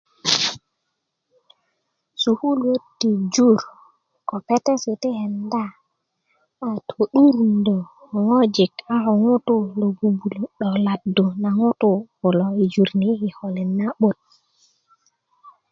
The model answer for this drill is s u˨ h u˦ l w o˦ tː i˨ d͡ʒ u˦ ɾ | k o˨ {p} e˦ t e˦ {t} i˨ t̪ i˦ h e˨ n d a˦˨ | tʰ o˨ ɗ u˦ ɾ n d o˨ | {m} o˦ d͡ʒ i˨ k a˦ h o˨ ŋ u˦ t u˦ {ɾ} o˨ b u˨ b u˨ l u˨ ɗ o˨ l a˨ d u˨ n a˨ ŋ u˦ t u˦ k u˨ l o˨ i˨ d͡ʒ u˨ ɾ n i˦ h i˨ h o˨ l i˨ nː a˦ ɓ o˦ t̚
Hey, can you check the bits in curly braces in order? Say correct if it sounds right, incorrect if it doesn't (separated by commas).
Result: correct, incorrect, incorrect, incorrect